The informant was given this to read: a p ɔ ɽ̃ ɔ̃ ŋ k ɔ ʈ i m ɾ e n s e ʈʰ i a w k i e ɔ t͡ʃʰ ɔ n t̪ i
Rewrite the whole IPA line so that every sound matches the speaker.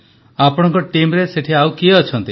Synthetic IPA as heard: a p ɔ ɽ̃ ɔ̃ ŋ k ɔ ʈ i m ɾ e s e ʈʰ i a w k i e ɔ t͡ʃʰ ɔ n t̪ i